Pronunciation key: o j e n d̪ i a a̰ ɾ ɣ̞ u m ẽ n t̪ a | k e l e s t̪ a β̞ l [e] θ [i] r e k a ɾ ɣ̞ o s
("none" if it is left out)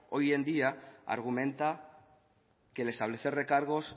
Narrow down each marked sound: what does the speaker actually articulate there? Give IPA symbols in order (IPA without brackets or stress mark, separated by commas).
e, e